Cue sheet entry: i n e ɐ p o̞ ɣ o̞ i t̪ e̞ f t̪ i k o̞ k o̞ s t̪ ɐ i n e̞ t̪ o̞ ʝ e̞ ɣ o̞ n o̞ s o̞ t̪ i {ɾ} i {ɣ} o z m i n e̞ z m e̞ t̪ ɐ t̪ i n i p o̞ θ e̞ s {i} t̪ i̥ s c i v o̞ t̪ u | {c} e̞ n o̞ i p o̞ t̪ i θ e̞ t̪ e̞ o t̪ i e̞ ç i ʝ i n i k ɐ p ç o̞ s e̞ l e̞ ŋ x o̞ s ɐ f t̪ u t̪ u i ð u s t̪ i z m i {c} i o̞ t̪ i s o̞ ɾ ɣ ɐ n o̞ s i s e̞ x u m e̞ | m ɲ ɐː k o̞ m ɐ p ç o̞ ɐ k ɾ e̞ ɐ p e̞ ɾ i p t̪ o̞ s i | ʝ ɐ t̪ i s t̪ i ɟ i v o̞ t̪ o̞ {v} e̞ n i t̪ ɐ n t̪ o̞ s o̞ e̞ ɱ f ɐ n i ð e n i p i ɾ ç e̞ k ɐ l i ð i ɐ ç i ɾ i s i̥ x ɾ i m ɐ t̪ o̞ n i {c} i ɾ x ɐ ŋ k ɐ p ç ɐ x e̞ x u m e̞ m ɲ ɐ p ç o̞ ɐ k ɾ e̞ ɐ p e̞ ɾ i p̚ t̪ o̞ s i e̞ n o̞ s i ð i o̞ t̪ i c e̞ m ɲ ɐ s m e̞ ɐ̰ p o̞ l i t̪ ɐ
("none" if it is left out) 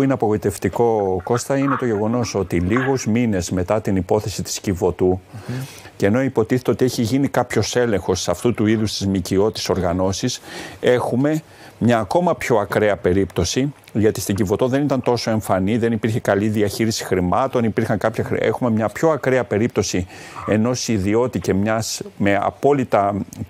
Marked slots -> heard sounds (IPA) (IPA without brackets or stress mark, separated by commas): l, ɣ, i, c, c, ð, p